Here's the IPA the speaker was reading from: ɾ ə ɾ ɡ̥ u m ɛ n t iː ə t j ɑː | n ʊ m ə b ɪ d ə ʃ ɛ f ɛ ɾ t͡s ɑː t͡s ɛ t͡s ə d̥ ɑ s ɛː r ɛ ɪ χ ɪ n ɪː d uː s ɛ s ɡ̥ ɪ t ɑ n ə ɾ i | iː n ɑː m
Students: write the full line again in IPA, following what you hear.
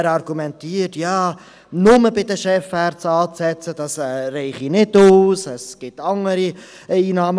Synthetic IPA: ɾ ɑ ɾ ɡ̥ u m ɛ n t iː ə t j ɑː | n ʊ m ə b ɪ d ə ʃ ɛ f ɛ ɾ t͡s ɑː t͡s ɛ t͡s ə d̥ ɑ s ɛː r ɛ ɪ χ i n ɪ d uː s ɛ s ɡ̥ ɪ t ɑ ŋ ə ɾ i | iː n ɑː m